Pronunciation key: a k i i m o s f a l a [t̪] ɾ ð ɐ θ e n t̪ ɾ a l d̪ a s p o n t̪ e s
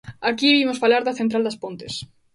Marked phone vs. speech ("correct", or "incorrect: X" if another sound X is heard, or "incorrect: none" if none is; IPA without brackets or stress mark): incorrect: none